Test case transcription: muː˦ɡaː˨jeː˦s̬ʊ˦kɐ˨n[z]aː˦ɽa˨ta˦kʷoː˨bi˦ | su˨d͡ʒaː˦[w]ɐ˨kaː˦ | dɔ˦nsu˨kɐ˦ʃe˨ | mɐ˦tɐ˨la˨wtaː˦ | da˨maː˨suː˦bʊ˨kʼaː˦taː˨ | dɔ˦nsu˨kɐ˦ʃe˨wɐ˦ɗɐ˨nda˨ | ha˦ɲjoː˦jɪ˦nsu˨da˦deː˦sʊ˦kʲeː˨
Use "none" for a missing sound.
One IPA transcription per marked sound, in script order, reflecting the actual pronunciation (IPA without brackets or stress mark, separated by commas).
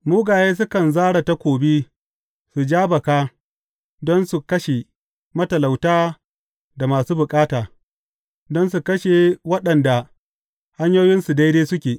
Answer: z, b